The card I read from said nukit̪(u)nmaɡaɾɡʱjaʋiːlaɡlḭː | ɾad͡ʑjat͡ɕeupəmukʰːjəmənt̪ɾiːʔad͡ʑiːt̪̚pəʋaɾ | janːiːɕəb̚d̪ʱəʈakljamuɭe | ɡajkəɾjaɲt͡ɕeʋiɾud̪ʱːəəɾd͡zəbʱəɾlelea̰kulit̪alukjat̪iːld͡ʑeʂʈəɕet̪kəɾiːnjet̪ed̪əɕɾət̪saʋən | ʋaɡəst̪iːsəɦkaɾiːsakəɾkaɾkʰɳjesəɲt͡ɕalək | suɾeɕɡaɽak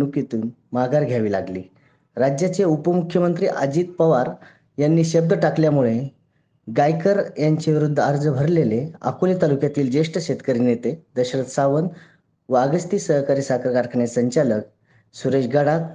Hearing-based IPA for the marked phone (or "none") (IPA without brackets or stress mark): uː